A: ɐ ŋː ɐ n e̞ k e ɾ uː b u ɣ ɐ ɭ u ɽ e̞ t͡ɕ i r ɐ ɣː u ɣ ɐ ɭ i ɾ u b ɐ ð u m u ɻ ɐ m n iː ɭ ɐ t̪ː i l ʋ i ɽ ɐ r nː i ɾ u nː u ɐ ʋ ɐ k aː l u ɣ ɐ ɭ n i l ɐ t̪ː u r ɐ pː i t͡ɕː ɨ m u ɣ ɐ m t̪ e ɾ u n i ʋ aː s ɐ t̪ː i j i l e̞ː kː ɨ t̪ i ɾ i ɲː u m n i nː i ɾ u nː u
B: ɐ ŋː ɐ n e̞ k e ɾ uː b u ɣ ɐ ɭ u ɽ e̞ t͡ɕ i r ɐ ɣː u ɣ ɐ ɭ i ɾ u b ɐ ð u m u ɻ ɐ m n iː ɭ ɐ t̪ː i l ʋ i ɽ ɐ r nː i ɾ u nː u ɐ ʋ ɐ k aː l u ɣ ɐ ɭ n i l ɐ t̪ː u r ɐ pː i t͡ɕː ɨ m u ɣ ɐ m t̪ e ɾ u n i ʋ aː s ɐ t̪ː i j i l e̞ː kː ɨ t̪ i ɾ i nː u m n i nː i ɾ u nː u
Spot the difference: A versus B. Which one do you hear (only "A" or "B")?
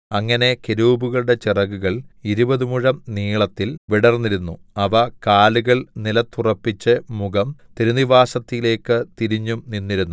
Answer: A